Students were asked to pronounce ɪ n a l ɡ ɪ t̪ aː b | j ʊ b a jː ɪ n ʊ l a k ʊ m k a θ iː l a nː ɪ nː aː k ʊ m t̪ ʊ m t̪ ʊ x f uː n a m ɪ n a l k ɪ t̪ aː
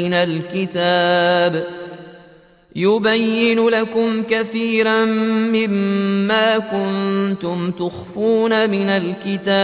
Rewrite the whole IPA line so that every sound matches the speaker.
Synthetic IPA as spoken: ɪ n a l k ɪ t̪ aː b | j ʊ b a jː ɪ n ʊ l a k ʊ m k a θ iː ɾ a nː ɪ mː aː k ʊ n t̪ ʊ m t̪ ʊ x f uː n a m ɪ n a l k ɪ t̪ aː